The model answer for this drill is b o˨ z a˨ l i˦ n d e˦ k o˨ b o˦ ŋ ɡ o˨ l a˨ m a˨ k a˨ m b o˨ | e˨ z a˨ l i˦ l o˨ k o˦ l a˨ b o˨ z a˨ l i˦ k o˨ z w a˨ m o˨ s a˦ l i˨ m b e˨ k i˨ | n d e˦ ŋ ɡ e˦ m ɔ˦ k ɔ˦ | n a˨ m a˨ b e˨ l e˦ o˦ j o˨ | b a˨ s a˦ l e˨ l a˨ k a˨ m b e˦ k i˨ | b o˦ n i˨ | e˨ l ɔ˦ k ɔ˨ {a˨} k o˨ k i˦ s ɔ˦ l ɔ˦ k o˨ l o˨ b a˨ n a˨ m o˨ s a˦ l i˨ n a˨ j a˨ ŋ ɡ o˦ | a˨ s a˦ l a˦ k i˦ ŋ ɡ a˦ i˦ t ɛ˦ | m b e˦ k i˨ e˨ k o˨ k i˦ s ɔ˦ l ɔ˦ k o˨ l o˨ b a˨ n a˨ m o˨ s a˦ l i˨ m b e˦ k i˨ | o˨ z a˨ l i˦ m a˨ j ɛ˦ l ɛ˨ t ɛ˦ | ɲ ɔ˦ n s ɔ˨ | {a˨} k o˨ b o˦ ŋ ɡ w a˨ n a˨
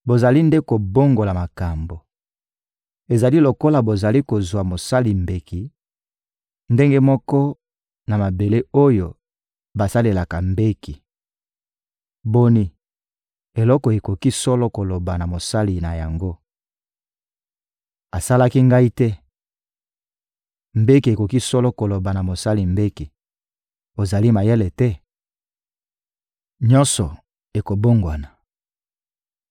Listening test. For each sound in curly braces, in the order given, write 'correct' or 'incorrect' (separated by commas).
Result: incorrect, incorrect